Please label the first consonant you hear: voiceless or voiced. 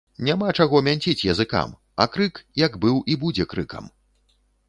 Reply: voiced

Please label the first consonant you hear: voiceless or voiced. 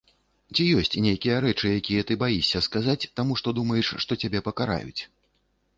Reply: voiceless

